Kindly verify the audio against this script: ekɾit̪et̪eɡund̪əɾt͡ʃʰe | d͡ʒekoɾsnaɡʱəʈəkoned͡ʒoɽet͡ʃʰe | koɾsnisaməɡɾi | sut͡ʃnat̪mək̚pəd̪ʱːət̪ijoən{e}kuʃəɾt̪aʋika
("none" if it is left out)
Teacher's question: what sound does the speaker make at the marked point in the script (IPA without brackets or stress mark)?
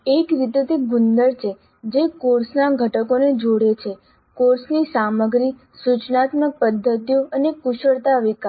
e